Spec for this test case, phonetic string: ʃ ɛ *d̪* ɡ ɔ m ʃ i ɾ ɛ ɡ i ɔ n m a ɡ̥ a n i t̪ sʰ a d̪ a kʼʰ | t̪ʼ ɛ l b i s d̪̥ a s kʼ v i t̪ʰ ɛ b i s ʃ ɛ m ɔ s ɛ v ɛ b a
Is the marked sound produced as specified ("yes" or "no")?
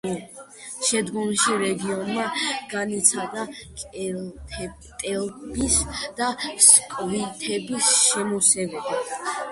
yes